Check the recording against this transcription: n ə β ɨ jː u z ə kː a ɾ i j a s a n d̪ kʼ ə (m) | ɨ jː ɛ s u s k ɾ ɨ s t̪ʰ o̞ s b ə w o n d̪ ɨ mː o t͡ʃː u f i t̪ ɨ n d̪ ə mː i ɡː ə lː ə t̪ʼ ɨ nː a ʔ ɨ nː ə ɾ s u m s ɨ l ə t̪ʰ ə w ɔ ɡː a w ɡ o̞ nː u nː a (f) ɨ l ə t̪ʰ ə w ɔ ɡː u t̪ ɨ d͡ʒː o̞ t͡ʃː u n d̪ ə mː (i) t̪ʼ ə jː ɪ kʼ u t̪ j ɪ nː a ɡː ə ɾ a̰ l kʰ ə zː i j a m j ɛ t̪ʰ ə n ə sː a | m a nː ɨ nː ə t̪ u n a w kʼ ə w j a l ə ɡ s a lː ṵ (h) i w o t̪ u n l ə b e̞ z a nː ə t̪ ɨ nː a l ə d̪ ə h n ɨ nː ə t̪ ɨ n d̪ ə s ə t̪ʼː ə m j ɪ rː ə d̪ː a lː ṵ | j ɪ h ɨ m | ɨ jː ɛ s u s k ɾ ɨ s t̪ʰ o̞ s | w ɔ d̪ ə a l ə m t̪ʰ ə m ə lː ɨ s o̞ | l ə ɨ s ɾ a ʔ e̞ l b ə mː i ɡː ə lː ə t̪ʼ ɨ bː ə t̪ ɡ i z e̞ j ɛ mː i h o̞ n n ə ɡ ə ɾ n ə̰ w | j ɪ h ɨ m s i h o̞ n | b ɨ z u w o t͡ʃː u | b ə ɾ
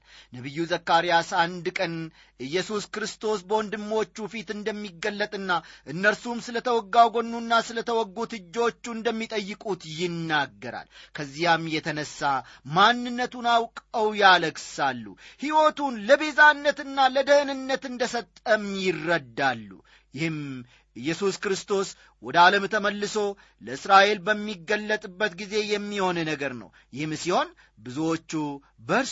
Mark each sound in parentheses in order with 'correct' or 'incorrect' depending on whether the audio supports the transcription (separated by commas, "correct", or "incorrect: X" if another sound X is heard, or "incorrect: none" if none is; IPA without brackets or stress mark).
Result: incorrect: n, incorrect: s, correct, correct